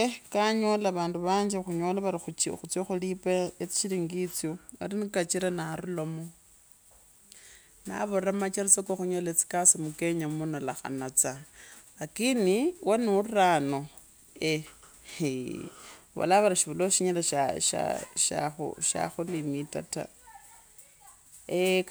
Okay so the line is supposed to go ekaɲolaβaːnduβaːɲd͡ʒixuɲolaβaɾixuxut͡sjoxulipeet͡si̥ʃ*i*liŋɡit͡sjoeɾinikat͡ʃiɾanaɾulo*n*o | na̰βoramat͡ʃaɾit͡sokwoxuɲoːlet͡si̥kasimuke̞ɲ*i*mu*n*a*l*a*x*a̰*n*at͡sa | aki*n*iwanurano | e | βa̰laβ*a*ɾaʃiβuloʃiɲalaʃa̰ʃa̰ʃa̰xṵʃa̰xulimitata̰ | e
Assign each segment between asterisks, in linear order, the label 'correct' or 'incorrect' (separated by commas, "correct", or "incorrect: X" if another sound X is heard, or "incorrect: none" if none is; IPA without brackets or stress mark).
correct, incorrect: m, incorrect: a, correct, correct, correct, correct, correct, correct